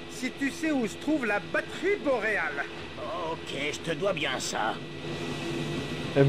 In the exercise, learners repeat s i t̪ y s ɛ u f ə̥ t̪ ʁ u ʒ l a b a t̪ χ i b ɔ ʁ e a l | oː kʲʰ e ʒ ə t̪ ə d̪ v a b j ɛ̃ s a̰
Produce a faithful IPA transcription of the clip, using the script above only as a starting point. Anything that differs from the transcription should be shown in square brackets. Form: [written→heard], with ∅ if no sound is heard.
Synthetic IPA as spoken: s i t̪ y s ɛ u [f→s] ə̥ t̪ [ʁ→χ] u [ʒ→v] l a b a t̪ χ i b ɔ ʁ e a l | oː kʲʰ e ʒ ə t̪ ə d̪ [v→w] a b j ɛ̃ s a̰